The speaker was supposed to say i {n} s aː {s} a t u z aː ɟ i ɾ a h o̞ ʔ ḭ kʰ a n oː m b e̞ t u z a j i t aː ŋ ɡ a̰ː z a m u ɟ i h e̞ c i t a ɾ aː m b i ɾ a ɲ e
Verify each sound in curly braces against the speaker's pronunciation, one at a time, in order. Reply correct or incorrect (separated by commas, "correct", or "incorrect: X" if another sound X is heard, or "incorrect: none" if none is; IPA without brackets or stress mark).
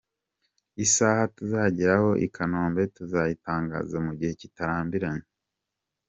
incorrect: none, incorrect: h